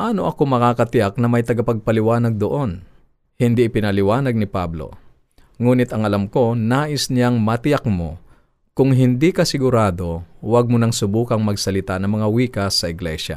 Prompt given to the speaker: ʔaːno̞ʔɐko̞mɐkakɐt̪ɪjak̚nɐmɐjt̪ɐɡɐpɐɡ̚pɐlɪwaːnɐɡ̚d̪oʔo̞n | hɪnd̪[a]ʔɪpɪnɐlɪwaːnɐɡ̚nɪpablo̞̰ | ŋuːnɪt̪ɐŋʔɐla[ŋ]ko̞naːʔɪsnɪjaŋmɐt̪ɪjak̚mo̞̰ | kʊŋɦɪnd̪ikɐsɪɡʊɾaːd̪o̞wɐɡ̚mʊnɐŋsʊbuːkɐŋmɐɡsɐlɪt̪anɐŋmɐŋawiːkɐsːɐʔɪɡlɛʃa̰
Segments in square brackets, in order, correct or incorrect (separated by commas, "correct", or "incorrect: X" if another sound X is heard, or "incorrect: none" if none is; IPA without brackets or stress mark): incorrect: i, incorrect: m